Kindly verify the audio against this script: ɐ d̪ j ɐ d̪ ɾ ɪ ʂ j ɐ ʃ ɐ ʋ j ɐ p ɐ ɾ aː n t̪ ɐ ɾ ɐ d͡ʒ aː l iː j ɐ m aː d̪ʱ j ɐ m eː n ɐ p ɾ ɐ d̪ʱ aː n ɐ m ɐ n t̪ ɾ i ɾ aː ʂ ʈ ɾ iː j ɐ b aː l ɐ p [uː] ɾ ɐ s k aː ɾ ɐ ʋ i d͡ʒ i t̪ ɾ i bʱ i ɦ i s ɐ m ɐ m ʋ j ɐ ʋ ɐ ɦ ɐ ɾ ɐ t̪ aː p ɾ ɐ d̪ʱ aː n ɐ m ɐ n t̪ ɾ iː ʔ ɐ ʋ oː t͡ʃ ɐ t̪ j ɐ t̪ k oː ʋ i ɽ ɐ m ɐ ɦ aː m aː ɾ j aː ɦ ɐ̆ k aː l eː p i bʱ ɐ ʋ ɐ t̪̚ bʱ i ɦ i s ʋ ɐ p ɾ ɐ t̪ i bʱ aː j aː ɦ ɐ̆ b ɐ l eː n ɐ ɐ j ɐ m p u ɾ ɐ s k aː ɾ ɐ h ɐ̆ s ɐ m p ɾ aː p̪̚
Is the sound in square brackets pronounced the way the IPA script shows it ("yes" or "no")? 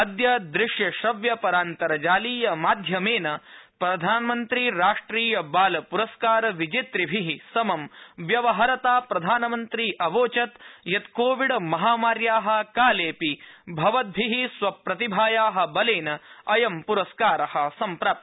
no